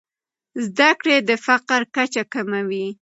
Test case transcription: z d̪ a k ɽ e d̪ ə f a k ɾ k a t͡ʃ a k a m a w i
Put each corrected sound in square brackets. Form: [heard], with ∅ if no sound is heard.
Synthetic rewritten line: z d̪ a k ɽ e d̪ ə f a [q] ɾ k a t͡ʃ a k a m a w i